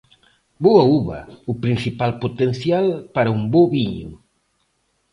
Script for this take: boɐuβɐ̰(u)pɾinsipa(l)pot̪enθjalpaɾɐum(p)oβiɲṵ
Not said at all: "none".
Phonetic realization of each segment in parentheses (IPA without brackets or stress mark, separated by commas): u, l, b